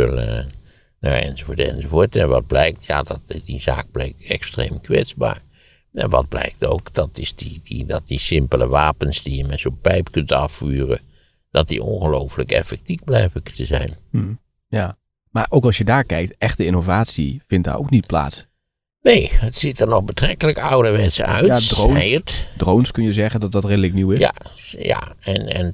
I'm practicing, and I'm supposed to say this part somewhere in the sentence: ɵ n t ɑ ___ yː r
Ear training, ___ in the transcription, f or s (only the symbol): f